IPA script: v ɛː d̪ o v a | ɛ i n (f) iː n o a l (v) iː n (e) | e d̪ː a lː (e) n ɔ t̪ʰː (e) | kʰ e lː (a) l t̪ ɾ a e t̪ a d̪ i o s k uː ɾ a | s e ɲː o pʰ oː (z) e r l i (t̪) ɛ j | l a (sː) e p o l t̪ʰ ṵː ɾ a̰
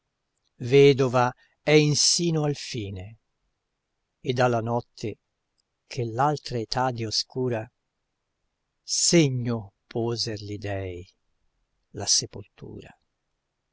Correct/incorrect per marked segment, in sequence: incorrect: s, incorrect: f, correct, incorrect: a, correct, correct, correct, incorrect: d̪, incorrect: s

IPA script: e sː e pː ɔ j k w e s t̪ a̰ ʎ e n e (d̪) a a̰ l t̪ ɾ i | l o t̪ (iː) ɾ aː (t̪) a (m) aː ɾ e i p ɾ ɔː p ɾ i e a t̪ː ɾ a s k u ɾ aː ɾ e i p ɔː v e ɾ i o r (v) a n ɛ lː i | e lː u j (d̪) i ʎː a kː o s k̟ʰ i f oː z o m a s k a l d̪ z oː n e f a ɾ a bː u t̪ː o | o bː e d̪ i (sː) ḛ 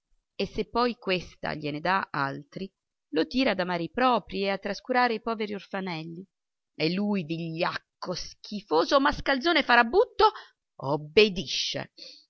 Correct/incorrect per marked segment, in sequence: correct, correct, incorrect: d̪, correct, incorrect: f, correct, incorrect: ʃː

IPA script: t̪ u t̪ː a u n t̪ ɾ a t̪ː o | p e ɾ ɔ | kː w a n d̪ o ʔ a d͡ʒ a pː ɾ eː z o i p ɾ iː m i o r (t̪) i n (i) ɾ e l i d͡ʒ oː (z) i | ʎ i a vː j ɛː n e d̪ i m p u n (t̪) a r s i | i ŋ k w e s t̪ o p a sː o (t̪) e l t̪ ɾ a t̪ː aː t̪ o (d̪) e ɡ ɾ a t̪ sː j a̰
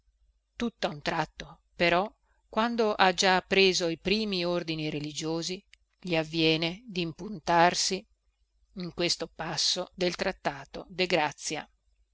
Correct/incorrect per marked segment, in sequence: incorrect: d̪, correct, correct, correct, incorrect: d̪, correct

